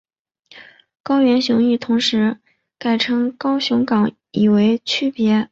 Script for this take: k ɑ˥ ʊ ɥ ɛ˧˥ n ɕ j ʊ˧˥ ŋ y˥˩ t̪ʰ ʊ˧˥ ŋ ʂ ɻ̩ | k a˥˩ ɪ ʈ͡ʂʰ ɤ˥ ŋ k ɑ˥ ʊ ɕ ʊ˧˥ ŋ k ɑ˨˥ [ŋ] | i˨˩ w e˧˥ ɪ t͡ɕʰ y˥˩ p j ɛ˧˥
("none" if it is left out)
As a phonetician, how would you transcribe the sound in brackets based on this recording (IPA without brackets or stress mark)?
ŋ